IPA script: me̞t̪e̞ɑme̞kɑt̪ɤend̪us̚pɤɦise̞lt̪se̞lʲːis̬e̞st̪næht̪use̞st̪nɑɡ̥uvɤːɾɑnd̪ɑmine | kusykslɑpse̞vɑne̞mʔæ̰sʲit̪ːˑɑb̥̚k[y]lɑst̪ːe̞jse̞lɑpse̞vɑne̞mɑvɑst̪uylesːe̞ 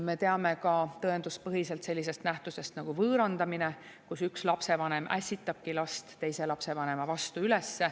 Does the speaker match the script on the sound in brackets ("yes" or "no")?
no